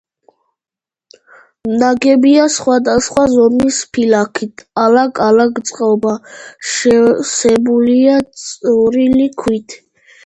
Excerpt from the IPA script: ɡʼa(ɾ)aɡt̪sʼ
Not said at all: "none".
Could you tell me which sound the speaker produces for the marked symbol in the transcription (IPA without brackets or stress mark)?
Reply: l